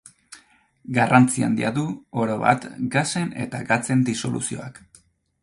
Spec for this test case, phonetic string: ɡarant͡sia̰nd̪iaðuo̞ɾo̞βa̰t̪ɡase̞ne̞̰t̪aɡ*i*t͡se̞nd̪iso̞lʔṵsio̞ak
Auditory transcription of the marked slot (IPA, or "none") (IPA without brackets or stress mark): a